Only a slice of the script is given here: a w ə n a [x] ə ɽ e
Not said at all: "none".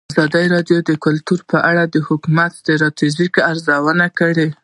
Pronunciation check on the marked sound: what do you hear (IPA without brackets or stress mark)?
k